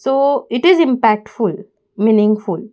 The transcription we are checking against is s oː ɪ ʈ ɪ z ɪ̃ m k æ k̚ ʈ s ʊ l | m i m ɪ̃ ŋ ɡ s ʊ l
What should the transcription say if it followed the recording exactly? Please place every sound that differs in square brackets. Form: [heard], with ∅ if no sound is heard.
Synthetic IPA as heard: s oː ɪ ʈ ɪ z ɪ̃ m [p] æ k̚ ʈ [f] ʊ l | m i [n] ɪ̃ ŋ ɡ [f] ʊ l